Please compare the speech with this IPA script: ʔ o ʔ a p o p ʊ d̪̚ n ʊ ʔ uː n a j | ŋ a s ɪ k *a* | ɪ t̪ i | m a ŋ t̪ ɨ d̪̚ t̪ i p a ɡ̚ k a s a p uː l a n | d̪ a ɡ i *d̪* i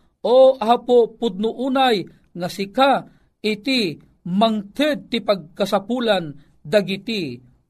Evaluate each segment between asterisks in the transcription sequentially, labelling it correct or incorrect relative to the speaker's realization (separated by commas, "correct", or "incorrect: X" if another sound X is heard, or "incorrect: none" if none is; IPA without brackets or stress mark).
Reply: correct, incorrect: t̪